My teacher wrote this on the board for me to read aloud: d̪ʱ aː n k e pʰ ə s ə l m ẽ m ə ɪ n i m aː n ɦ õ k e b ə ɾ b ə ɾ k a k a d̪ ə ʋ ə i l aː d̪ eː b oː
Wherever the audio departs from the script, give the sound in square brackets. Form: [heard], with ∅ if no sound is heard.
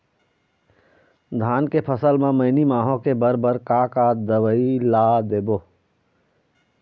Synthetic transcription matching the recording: d̪ʱ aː n k e pʰ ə s ə l m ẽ m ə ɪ n i m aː [∅] ɦ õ k e b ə ɾ b ə ɾ k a k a d̪ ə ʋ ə i l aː d̪ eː b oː